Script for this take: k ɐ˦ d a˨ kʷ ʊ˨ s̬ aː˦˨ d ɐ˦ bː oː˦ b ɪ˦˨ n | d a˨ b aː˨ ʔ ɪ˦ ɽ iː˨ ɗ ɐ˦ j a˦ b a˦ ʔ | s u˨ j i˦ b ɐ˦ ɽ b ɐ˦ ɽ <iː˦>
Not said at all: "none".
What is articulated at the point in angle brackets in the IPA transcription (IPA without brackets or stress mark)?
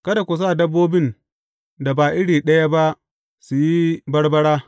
aː˦